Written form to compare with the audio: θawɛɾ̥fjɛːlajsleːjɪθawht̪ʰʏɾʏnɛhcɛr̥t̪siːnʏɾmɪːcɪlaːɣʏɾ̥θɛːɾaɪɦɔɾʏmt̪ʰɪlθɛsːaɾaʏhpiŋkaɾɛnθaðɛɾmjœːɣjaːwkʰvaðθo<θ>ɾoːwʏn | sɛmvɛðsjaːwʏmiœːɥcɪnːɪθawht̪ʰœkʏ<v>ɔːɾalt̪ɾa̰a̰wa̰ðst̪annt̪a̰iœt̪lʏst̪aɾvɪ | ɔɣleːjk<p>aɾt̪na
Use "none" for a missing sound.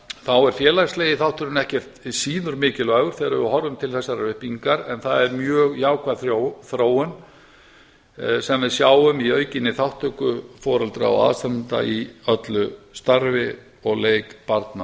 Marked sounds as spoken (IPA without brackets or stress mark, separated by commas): θ, f, p